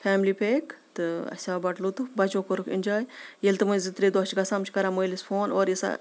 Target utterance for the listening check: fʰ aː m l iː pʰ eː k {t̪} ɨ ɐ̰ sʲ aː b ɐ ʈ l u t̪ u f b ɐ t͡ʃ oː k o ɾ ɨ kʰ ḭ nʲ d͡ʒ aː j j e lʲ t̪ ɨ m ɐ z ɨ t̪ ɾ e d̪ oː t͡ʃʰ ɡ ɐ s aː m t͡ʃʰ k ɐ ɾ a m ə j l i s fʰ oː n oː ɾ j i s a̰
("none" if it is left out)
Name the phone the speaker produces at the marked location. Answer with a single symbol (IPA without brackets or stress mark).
t̪